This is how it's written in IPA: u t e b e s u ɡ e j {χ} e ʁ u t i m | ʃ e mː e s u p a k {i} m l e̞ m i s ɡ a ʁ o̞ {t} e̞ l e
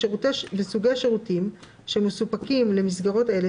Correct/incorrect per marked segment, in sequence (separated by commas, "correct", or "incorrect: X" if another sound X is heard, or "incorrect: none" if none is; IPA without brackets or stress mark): incorrect: ʃ, correct, correct